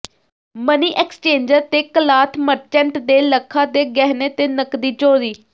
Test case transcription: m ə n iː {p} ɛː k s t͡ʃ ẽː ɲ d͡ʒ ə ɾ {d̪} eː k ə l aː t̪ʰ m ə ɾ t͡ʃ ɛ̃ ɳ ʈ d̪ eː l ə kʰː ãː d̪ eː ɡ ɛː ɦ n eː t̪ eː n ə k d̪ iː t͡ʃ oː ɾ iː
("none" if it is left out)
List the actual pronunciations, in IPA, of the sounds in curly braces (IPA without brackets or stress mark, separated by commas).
ʔ, t̪